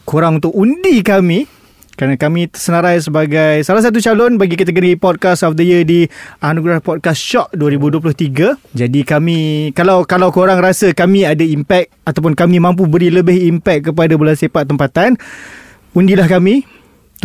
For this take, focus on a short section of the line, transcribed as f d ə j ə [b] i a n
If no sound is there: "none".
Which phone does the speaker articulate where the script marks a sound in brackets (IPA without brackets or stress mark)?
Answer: d